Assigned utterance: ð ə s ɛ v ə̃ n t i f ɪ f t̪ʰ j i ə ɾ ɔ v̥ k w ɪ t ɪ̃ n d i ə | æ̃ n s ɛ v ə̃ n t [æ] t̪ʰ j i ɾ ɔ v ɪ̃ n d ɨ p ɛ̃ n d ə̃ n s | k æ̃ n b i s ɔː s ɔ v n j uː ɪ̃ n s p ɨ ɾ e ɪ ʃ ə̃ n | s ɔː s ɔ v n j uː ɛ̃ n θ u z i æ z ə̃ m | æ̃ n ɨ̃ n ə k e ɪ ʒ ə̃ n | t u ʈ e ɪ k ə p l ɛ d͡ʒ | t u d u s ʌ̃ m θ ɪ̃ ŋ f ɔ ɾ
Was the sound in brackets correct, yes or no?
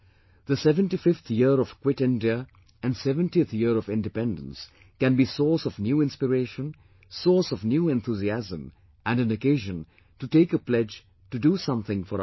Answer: no